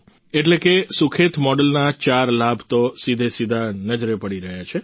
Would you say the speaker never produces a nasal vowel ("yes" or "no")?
yes